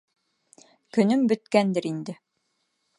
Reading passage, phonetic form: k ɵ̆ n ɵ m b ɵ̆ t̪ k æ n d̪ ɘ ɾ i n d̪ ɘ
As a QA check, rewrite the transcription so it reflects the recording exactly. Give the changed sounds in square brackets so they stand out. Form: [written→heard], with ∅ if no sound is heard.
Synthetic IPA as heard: k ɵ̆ n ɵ m b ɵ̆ t̪ k æ n d̪ ɘ ɾ i n d̪ ɘ